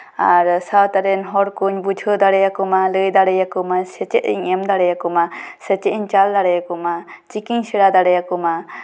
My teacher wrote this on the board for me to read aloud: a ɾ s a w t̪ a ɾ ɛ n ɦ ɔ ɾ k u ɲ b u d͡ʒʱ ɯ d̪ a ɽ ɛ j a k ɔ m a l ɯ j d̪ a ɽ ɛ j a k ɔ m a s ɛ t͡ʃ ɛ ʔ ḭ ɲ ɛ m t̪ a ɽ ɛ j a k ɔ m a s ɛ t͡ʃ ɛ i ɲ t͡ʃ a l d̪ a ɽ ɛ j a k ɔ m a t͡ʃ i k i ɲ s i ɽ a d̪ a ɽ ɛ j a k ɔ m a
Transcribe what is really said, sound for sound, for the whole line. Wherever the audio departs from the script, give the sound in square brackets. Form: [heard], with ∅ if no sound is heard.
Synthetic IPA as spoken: a ɾ s a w t̪ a ɾ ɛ n ɦ ɔ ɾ k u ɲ b u d͡ʒʱ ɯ d̪ a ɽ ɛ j a k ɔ m a l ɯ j d̪ a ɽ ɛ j a k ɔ m a s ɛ t͡ʃ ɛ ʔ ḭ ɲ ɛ m [d̪] a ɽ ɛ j a k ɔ m a s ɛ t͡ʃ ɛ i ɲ t͡ʃ a l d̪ a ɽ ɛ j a k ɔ m a t͡ʃ i k i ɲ s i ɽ a d̪ a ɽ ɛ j a k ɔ m a